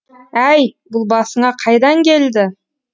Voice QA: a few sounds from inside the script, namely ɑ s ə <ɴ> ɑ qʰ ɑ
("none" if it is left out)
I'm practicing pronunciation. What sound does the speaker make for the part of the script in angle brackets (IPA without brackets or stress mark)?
ɴ